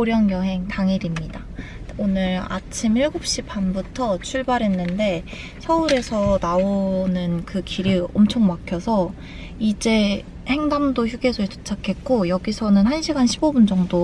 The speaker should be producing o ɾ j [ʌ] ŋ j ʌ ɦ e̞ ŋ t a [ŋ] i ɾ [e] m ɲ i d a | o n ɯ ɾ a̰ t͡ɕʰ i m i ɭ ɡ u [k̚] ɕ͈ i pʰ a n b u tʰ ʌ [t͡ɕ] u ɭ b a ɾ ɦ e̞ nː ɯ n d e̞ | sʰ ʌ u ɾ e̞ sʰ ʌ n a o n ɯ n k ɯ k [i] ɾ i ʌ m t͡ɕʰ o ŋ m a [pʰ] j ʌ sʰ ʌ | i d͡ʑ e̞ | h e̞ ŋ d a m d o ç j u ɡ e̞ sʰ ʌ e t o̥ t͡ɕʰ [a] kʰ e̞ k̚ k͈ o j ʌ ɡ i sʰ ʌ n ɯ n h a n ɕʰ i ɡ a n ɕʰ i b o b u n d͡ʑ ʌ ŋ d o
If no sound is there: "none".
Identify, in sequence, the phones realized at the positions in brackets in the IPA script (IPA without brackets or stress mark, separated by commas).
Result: ʌ, ŋ, i, p̚, t͡ɕʰ, i, kʰ, a